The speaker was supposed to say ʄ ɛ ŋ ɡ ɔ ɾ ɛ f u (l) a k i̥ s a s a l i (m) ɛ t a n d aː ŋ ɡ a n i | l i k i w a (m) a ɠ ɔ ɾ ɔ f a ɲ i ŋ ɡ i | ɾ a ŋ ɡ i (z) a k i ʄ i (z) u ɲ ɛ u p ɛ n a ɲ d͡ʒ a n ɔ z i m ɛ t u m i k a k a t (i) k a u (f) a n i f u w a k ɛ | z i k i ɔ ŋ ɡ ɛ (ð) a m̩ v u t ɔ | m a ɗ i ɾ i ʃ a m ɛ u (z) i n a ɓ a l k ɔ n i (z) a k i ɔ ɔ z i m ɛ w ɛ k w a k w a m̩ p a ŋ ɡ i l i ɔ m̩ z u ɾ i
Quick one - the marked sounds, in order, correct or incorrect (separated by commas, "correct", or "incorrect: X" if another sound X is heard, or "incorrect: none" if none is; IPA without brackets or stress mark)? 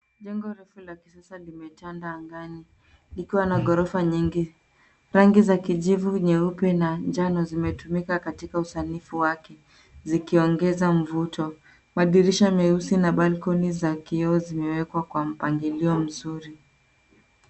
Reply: correct, correct, incorrect: n, correct, incorrect: v, correct, incorrect: s, incorrect: z, incorrect: s, correct